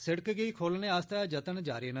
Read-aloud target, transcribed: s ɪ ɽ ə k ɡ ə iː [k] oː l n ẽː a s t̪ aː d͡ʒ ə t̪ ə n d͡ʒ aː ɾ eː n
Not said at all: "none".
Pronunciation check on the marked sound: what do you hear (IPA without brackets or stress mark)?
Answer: kʰ